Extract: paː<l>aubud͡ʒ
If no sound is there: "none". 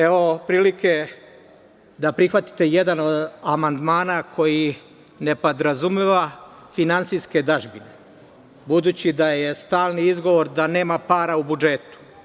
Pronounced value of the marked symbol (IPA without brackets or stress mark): ɾ